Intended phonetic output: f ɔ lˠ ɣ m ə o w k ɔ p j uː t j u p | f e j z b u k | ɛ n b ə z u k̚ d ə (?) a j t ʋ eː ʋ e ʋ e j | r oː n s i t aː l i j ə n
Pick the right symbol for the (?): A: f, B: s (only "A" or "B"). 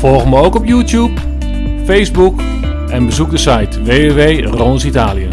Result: B